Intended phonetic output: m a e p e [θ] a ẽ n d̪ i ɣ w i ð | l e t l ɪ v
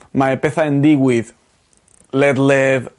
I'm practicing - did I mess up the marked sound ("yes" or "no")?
no